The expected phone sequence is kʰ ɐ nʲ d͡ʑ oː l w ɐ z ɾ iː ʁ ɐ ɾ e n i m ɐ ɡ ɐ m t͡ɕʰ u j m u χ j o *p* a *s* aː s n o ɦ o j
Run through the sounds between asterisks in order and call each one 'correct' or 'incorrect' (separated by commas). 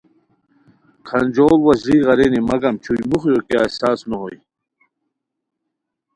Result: incorrect, correct